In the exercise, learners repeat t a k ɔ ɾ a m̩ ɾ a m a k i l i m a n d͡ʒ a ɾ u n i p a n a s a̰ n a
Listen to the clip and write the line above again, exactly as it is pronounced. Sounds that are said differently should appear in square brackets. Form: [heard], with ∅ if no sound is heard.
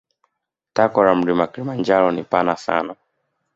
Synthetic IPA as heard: t a k ɔ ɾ a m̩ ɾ [i] m a k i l i m a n d͡ʒ a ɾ [ɔ] n i p a n a s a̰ n a